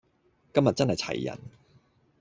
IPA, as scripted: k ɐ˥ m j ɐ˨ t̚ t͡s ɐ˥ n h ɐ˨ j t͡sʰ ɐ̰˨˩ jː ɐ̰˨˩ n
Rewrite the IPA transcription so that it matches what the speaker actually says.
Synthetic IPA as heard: k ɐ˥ m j ɐ˨ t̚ t͡s ɐ˥ n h ɐ˨ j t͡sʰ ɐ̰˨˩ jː ɐ̰˨˩ n